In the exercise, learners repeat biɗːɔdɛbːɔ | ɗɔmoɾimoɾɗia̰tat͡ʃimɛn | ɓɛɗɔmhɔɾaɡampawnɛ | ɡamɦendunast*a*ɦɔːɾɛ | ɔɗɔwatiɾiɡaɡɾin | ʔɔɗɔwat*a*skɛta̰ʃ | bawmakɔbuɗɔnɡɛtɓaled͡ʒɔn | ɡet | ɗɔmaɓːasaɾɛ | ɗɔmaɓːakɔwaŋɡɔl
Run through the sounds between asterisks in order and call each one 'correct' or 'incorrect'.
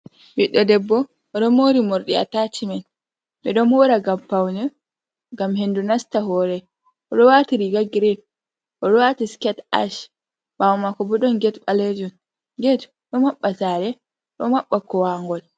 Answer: correct, incorrect: i

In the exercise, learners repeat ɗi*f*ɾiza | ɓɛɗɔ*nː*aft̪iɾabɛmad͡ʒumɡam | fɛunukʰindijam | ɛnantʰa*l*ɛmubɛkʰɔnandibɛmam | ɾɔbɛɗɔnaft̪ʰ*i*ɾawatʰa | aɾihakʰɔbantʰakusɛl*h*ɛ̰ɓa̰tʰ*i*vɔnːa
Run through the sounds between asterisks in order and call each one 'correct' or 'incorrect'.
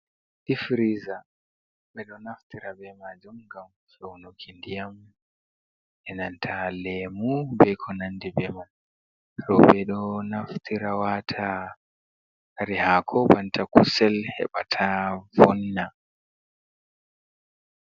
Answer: correct, incorrect: n, correct, correct, correct, incorrect: a

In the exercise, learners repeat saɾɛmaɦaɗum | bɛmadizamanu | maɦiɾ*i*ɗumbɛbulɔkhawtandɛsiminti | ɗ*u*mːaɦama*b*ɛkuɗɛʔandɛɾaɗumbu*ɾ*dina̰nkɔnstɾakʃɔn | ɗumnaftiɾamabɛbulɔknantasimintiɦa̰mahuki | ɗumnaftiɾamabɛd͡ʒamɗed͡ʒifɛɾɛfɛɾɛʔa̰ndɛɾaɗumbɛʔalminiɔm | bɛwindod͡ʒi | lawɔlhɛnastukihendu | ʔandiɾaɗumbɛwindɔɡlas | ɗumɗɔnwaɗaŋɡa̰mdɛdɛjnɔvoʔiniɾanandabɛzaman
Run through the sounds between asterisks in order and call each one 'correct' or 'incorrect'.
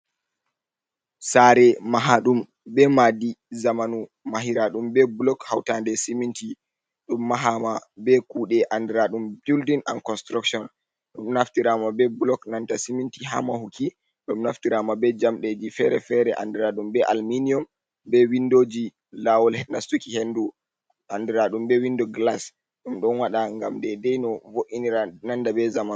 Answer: incorrect: a, correct, correct, incorrect: l

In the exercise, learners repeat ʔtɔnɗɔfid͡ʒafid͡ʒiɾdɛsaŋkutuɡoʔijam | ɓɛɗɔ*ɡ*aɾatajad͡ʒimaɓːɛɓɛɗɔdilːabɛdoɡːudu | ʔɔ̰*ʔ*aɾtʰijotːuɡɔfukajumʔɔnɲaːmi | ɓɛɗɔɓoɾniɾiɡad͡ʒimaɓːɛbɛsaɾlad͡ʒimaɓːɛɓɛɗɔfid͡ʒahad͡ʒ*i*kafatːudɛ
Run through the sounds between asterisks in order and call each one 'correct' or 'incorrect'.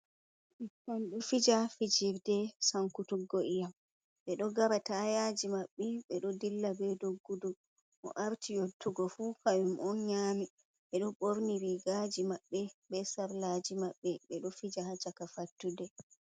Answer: correct, correct, incorrect: a

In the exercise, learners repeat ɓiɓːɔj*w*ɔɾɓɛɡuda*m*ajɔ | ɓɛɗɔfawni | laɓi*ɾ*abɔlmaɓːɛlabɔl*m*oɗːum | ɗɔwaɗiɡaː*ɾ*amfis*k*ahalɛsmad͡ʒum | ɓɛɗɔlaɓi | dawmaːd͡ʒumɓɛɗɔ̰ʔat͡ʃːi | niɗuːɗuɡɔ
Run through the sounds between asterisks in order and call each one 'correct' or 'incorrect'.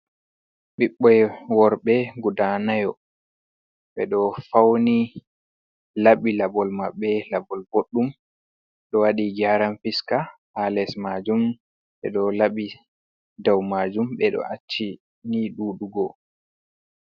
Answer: correct, incorrect: n, incorrect: l, incorrect: b, correct, correct

